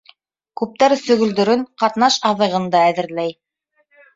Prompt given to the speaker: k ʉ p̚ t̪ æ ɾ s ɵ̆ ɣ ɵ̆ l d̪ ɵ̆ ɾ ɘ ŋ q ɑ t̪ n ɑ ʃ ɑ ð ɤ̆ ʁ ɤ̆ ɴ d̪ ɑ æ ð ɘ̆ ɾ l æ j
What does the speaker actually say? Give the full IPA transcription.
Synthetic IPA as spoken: k ʉ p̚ t̪ æ ɾ s ɵ̆ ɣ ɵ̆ l d̪ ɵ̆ ɾ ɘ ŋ q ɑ t̪ n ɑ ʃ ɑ ð ɤ̆ ʁ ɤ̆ n d̪ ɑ æ ð ɘ̆ ɾ l æ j